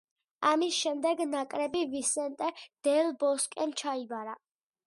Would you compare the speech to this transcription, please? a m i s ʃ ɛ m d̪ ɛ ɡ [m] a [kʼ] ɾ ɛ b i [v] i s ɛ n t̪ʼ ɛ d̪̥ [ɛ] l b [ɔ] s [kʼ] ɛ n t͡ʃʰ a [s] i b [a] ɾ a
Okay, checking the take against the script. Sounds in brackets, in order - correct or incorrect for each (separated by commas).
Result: incorrect, correct, correct, correct, correct, correct, incorrect, correct